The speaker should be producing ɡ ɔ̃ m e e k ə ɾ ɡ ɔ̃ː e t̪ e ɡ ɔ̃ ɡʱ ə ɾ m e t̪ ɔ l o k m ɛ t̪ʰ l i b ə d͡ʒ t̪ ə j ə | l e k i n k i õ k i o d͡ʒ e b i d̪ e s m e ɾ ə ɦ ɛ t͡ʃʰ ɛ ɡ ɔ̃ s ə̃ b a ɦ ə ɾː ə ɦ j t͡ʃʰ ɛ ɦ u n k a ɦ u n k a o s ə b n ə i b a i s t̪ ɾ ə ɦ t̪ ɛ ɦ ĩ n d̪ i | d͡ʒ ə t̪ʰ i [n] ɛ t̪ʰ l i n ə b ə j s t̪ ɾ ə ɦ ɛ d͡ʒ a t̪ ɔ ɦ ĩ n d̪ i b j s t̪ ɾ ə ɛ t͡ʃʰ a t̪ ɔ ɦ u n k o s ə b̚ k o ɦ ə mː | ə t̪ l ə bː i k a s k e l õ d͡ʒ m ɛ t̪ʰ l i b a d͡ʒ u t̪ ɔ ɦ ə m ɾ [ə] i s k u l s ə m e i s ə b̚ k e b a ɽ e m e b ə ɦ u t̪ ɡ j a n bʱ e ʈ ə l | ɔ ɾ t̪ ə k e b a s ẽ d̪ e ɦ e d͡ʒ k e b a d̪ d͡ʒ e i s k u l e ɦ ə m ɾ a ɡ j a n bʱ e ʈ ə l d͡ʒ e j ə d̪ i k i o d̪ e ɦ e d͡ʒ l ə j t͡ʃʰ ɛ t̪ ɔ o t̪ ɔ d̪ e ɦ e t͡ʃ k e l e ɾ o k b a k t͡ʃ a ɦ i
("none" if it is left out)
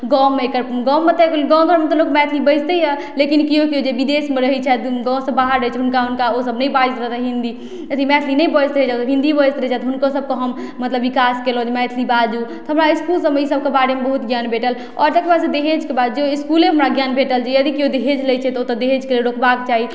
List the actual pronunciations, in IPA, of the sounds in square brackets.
m, a

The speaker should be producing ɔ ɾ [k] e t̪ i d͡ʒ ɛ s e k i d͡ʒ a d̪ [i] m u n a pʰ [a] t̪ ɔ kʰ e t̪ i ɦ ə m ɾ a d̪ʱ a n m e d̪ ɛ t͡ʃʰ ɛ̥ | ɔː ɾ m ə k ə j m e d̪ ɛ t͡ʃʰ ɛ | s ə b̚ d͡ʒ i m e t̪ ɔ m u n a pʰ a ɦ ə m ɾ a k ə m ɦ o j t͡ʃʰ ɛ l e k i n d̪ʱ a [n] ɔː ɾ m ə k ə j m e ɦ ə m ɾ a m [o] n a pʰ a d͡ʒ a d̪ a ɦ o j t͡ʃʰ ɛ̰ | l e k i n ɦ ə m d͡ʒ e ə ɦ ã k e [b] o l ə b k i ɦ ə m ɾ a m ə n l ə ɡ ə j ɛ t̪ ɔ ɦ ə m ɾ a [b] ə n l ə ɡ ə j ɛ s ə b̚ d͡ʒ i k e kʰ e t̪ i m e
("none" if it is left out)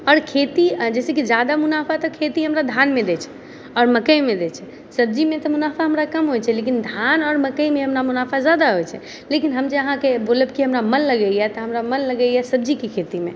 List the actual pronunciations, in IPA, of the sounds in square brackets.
kʰ, a, a, n, u, b, m

